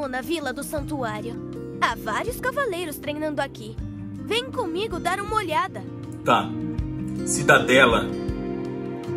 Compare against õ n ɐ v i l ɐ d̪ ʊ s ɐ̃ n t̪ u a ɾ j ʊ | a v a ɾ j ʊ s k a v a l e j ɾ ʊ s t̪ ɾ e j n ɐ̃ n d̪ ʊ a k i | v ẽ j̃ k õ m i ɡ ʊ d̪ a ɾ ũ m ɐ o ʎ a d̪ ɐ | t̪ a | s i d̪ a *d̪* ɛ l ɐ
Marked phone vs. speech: correct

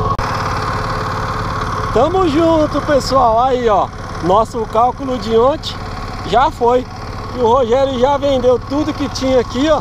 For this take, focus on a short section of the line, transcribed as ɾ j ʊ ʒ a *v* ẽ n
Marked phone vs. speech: correct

